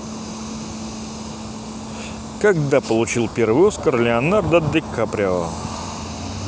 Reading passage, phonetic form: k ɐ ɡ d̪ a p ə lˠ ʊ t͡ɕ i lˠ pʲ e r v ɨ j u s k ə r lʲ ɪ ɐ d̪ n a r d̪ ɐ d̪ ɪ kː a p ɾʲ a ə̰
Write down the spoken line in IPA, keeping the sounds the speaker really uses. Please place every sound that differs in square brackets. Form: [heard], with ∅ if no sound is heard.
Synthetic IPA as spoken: k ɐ ɡ d̪ a p ə lˠ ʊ t͡ɕ i lˠ pʲ e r v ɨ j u s k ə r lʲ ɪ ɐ [∅] n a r d̪ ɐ d̪ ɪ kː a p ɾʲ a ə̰

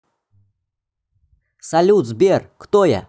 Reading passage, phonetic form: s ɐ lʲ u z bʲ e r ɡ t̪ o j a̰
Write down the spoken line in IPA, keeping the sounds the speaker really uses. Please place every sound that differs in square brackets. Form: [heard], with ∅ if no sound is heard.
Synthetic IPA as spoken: s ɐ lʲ u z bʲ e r [k] t̪ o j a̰

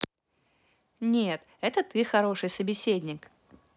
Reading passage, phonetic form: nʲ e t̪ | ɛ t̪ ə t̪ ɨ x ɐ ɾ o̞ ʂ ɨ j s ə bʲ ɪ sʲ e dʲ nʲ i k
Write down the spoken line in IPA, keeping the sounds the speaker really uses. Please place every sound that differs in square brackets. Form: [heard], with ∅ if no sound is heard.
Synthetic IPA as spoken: nʲ e t̪ | ɛ t̪ ə t̪ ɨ x ɐ ɾ o̞ ʂ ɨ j s ə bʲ ɪ sʲ e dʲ nʲ [ɪ] k

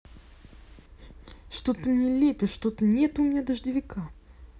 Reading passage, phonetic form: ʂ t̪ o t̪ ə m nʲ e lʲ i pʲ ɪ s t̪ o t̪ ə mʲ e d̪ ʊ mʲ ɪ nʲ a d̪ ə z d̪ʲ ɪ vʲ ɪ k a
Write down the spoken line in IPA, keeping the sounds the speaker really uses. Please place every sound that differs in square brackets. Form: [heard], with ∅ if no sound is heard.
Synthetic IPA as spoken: ʂ t̪ o t̪ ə m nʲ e lʲ [e] pʲ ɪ [ʂ] t̪ o t̪ ə [nʲ] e [t̪] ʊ mʲ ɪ nʲ a d̪ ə [ʐ] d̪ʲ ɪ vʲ ɪ k a

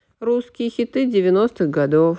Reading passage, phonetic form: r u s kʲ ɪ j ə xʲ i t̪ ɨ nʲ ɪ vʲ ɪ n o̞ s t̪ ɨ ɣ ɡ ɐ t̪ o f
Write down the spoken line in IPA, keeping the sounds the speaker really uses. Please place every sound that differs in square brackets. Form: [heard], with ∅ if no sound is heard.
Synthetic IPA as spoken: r u s kʲ ɪ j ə xʲ [ɪ] t̪ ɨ [dʲ] ɪ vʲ ɪ n o̞ s t̪ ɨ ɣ ɡ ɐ [d̪] o f

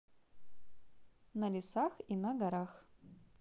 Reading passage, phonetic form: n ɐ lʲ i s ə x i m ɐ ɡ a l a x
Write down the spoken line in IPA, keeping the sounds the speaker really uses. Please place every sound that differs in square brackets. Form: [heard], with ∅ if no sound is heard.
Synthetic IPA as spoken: n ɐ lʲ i s [a] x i [n] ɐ ɡ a [ɾ] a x

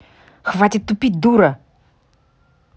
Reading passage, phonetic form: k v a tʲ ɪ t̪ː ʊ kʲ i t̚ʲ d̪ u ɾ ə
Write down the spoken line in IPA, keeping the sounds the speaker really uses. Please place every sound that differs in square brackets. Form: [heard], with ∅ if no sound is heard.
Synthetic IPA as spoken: [x] v a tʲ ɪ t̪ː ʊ [pʲ] i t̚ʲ d̪ u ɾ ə

